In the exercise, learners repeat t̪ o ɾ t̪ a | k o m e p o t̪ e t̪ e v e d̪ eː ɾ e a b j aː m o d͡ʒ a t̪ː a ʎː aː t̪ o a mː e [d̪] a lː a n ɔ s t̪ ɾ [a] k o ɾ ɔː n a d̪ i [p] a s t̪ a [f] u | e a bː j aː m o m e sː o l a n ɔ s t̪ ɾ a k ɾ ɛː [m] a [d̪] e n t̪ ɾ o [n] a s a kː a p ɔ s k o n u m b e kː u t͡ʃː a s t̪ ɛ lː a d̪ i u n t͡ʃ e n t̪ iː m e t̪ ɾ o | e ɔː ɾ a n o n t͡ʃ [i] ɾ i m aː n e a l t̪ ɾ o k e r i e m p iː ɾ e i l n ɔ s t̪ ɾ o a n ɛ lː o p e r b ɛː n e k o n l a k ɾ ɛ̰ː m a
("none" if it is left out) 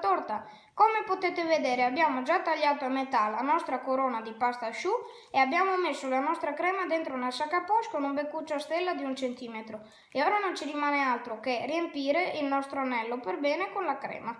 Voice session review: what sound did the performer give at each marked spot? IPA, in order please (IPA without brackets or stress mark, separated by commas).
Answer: t̪, a, p, ʃ, m, d̪, n, i